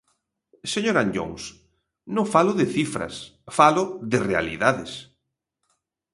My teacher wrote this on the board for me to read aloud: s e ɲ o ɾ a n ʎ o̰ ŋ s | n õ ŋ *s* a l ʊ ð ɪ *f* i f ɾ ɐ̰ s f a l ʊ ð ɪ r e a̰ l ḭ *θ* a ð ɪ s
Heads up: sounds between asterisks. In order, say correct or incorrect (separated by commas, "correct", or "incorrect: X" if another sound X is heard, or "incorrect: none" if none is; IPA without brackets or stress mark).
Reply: incorrect: f, incorrect: θ, incorrect: ð